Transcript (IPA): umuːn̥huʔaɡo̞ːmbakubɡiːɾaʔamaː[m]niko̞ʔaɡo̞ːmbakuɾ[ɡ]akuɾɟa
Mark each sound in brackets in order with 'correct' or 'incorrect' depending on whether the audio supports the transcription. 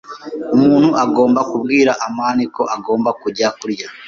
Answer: incorrect: none, incorrect: ɟ

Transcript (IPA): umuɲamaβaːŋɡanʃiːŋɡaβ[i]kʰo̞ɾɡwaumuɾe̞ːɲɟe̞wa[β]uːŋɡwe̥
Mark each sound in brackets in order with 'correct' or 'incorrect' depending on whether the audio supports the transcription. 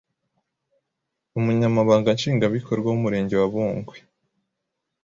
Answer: correct, correct

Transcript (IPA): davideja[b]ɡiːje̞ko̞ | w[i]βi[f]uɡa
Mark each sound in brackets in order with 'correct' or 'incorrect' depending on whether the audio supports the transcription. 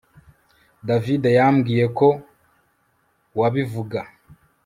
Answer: incorrect: m, incorrect: a, incorrect: v

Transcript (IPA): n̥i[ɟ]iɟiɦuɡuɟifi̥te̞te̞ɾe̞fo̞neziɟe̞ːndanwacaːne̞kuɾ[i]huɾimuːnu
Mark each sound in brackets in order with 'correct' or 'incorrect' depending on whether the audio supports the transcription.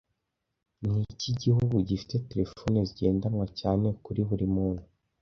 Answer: incorrect: c, correct

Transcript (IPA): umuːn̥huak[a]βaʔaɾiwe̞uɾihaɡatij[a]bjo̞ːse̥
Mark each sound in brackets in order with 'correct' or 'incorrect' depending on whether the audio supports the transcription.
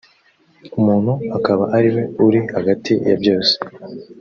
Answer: correct, correct

